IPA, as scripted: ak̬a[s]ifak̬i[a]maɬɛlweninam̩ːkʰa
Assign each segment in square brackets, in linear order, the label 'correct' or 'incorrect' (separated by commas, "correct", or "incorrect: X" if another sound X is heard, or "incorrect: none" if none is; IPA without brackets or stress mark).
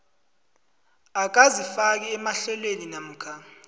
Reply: incorrect: z, incorrect: ɛ